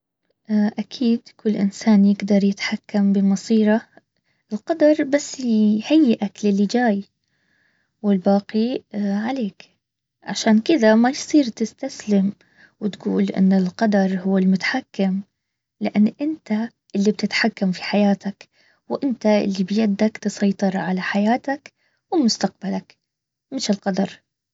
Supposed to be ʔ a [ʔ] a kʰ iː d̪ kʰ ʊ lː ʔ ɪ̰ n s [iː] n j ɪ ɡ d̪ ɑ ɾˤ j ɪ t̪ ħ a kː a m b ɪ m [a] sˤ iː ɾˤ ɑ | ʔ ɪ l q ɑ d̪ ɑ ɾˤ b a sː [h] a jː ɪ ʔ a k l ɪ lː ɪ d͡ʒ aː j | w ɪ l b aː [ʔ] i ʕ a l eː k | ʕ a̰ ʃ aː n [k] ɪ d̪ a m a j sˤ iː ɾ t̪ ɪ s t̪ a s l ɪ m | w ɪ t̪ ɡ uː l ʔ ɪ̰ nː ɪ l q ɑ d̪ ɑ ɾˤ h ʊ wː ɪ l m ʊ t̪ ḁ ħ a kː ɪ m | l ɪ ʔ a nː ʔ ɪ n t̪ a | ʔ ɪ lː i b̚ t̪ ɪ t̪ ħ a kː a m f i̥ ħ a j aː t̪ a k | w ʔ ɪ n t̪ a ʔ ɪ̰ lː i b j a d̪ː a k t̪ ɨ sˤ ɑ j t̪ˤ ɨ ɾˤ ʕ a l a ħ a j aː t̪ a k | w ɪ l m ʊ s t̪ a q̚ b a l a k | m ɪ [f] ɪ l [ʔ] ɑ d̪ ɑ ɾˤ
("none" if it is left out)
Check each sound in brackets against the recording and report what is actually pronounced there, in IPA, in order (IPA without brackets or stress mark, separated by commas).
ʔ, aː, ɑ, h, q, k, ʃ, q